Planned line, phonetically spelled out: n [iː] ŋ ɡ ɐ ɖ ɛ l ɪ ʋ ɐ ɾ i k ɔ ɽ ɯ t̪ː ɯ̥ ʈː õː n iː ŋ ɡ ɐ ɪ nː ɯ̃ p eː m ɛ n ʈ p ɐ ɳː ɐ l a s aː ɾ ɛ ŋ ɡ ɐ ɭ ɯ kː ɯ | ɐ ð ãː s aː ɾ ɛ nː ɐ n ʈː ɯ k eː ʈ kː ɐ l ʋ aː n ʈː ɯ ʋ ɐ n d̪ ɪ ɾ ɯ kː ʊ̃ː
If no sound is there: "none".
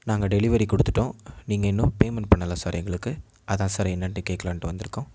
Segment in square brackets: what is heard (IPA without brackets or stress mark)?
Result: aː